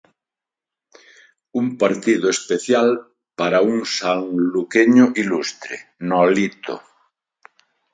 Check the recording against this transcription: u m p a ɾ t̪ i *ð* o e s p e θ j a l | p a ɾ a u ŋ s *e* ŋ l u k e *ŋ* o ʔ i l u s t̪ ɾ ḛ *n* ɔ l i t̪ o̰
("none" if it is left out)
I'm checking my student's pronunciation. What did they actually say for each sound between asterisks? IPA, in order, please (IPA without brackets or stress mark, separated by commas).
ð, a, ɲ, n